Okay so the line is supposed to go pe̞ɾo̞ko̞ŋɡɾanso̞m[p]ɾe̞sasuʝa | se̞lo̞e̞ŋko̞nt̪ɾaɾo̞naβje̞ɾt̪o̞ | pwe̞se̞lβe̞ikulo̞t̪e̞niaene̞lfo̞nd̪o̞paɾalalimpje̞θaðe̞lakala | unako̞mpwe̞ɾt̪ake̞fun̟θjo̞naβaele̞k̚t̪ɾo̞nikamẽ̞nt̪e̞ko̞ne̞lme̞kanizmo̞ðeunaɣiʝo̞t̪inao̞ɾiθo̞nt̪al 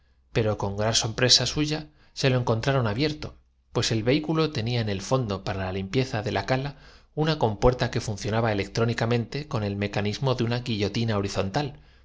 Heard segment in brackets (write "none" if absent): p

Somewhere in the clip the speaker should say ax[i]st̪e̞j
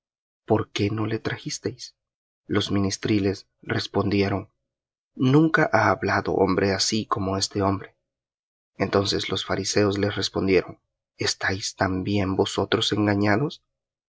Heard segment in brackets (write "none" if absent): i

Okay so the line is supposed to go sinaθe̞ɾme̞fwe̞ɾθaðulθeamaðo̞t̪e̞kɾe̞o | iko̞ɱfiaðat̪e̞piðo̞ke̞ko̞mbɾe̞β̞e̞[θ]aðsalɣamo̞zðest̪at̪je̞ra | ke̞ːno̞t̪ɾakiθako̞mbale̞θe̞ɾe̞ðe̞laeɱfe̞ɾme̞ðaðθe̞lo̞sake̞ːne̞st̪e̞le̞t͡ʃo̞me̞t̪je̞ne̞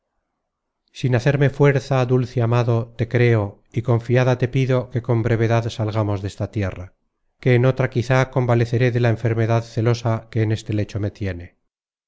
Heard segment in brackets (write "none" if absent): ð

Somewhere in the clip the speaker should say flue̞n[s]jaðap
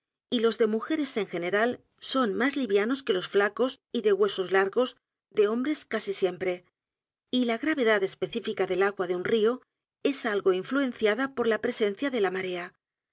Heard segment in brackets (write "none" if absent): θ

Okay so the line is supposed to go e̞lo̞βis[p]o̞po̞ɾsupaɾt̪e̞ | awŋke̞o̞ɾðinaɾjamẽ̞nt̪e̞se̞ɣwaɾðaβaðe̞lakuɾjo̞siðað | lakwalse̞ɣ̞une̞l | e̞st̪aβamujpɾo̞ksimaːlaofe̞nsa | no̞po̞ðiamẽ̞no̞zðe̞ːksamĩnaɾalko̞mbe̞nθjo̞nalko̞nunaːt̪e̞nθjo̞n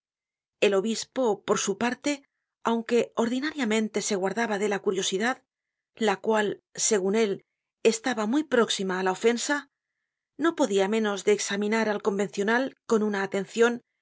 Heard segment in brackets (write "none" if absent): p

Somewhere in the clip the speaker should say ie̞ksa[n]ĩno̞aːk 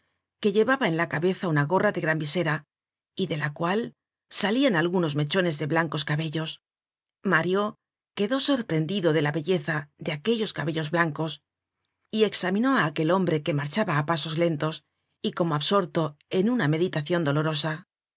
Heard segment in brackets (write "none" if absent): m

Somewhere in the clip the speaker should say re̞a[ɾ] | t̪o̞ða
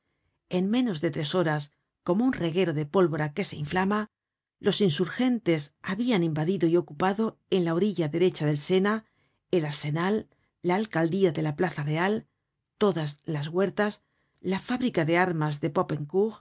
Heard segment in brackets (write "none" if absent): l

